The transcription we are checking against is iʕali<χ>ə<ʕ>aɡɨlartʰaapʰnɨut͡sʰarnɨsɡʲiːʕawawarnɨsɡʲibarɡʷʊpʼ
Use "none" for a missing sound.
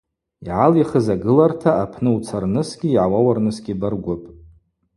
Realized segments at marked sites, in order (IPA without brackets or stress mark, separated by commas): χ, z